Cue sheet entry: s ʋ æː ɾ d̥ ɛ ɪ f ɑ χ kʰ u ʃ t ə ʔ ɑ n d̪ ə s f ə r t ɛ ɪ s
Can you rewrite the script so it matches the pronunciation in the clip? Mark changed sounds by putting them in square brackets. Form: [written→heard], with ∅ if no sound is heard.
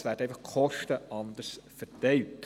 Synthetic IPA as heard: s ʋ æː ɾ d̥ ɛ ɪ f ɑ χ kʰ [u→ɔ] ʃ t ə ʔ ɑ n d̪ ə s f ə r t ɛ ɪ [s→t]